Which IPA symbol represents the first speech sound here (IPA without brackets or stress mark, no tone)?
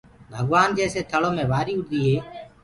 bʱ